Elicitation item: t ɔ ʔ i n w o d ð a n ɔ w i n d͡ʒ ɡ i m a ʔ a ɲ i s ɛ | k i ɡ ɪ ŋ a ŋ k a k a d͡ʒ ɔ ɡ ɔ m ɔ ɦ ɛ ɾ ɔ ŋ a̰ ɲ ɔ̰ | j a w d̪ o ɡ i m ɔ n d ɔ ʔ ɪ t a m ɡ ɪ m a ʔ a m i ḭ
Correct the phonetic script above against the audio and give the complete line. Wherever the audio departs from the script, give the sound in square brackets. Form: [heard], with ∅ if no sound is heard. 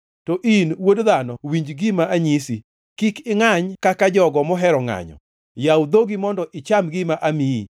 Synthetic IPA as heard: t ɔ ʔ i n w o d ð a n ɔ w i [ɲ] d͡ʒ ɡ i m a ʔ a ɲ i s [i] | k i [k] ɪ ŋ a [ɲ] k a k a d͡ʒ ɔ ɡ ɔ m ɔ ɦ ɛ ɾ ɔ ŋ a̰ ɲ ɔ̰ | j a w d̪ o ɡ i m ɔ n d ɔ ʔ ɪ [t͡ʃ] a m ɡ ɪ m a ʔ a m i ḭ